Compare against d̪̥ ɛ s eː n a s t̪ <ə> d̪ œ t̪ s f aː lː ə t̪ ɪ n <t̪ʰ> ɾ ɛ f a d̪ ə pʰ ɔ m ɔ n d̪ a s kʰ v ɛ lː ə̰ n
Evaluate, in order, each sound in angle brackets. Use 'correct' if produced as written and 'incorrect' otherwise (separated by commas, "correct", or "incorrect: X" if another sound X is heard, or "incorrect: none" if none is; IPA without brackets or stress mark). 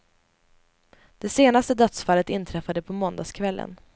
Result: correct, correct